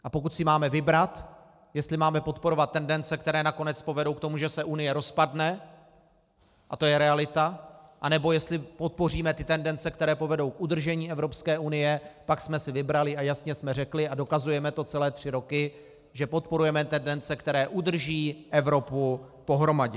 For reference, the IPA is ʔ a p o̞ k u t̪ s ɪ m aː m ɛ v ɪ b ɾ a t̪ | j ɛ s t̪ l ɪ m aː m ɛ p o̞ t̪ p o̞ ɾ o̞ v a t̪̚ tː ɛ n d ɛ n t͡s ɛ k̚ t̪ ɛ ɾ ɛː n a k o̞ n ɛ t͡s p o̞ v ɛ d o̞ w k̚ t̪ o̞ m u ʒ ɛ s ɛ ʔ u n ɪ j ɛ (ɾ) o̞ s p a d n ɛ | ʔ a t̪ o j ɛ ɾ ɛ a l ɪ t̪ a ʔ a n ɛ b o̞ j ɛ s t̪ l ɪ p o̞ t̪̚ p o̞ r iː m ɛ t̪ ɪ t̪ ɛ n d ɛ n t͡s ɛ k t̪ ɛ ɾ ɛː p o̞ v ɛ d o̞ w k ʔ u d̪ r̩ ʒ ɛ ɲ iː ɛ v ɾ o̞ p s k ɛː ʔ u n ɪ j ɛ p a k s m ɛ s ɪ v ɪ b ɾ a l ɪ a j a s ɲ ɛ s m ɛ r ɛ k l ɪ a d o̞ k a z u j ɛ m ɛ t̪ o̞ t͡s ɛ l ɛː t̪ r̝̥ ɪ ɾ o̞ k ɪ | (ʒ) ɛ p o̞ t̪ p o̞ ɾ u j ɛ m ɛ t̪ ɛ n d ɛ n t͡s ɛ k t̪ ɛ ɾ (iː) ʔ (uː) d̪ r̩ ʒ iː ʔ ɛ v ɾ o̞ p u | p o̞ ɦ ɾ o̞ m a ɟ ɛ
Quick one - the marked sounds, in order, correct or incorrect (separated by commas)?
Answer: correct, correct, incorrect, incorrect